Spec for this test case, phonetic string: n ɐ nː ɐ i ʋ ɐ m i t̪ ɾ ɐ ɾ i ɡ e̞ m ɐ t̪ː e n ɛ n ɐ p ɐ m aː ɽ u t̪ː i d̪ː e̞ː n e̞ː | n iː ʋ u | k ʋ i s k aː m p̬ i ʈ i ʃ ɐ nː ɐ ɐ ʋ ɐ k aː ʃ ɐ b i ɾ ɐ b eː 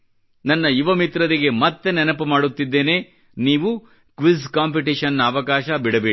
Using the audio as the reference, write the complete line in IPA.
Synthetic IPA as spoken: n ɐ nː ɐ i ʋ ɐ m i t̪ ɾ ɐ ɾ i ɡ e̞ m ɐ t̪ː e n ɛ n ɐ p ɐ m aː ɽ u t̪ː i d̪ː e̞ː n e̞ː | n iː ʋ u | k ʋ i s k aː m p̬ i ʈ i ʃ ɐ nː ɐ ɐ ʋ ɐ k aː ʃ ɐ b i ɽ ɐ b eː